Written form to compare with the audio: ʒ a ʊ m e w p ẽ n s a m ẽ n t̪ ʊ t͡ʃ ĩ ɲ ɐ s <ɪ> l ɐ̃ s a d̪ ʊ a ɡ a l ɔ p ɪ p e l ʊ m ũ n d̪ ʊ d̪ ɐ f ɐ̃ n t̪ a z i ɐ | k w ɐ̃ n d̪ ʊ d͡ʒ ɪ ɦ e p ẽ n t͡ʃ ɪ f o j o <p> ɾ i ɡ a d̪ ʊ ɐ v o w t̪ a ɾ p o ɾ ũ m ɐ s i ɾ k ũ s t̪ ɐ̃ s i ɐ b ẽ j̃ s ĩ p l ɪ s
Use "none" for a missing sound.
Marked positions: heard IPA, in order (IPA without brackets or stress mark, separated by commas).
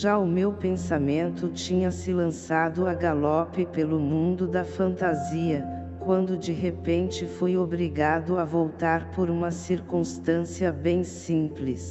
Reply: ɪ, b